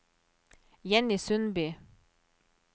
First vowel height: mid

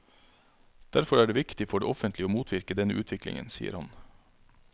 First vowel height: low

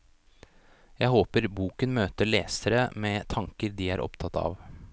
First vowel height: low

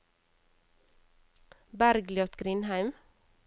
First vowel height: low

